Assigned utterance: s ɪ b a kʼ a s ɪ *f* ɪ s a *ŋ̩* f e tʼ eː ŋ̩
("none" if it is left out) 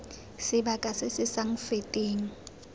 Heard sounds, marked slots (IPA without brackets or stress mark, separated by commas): s, ŋ̩